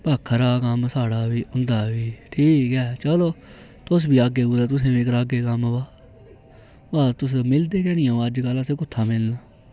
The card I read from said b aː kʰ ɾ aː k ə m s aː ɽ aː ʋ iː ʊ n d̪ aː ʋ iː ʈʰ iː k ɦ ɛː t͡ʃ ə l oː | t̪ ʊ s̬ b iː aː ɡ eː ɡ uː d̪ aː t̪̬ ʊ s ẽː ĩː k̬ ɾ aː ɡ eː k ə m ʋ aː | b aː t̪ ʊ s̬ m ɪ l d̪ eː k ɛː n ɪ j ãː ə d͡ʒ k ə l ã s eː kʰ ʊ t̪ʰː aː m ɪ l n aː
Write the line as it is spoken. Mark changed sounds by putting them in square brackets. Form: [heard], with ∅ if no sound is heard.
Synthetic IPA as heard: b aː kʰ ɾ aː k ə m s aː ɽ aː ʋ iː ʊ n d̪ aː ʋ iː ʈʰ iː k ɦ ɛː t͡ʃ ə l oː | t̪ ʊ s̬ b iː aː ɡ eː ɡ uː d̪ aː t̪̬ ʊ s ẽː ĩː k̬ ɾ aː ɡ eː k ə m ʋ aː | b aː t̪ ʊ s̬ m ɪ l d̪ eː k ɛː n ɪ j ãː ə d͡ʒ k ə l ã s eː [k] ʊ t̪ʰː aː m ɪ l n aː